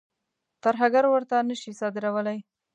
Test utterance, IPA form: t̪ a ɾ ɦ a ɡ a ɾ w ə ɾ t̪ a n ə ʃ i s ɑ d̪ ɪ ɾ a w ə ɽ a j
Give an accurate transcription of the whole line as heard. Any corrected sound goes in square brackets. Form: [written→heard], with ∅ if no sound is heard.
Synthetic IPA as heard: t̪ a ɾ ɦ a ɡ a ɾ w ə ɾ t̪ a n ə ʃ i s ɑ d̪ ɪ ɾ a w ə [ɽ→l] a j